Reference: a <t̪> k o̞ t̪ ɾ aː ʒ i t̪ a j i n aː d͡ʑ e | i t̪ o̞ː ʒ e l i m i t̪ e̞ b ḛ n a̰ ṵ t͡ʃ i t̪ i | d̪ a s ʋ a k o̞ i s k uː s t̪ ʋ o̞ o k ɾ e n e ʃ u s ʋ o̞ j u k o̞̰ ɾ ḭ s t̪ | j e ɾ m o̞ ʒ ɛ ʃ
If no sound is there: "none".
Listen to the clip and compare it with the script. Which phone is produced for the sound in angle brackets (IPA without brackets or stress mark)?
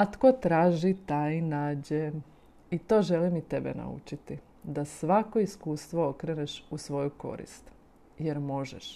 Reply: t̪